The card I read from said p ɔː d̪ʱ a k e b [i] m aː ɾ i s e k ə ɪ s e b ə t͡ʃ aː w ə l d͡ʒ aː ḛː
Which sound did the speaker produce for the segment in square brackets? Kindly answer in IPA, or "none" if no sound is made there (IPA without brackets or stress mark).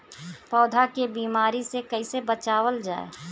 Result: iː